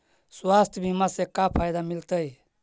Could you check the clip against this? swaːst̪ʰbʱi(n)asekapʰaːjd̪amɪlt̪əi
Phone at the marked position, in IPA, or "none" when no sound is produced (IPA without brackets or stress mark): m